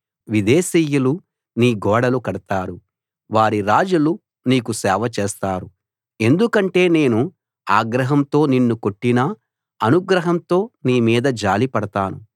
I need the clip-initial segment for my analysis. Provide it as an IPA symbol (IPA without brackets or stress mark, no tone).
ʋ